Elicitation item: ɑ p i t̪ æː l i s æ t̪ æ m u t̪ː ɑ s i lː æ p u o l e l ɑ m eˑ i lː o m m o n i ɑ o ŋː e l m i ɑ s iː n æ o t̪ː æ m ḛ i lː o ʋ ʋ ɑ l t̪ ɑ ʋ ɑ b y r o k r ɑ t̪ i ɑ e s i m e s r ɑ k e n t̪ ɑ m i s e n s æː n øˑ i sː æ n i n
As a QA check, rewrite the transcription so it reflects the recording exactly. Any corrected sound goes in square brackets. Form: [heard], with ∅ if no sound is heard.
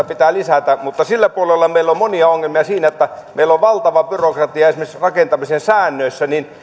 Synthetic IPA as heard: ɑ p i t̪ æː l i s æ t̪ æ m u t̪ː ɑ s i lː æ p u o l e [lː] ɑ m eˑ i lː o m m o n i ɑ o ŋː e l m i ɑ s iː n æ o t̪ː æ m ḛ i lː o ʋ ʋ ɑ l t̪ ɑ ʋ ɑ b y r o k r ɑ t̪ i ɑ e s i m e s r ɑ k e n t̪ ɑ m i s e n s æː [nː] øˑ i sː æ n i n